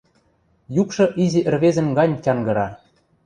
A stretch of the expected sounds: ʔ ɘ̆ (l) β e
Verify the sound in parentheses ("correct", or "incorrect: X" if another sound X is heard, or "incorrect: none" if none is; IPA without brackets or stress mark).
incorrect: r